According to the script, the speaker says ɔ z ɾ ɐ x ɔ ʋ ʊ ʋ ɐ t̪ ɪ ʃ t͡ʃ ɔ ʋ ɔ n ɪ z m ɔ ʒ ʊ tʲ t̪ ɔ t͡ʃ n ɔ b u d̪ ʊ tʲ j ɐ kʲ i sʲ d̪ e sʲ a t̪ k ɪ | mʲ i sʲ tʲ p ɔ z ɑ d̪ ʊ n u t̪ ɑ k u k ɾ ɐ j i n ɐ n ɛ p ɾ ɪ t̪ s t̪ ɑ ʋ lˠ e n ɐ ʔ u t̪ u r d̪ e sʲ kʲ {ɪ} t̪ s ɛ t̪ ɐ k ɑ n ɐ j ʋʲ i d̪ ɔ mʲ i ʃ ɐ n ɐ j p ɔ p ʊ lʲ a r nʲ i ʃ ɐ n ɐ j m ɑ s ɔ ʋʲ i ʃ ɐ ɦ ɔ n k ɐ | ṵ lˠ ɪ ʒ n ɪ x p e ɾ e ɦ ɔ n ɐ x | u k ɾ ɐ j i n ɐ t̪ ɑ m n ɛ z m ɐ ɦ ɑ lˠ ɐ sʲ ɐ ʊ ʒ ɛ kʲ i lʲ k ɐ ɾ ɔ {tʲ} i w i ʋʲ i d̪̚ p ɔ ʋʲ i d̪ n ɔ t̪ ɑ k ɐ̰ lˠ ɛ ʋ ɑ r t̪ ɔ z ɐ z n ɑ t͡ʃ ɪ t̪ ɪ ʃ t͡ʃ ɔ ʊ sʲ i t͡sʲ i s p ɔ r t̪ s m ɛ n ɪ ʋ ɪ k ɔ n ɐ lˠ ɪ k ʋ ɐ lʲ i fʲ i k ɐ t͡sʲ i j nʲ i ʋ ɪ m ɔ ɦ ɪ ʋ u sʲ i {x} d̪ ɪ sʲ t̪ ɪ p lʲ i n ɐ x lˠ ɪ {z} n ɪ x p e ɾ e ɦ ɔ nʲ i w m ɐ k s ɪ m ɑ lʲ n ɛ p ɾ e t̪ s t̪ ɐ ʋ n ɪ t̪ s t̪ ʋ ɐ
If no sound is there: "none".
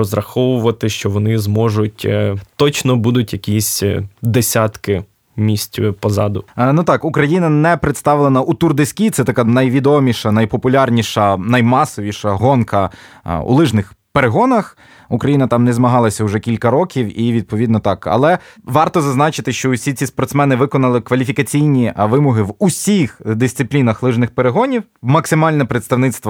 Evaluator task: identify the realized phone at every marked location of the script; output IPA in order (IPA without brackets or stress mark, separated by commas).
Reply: i, kʲ, x, ʒ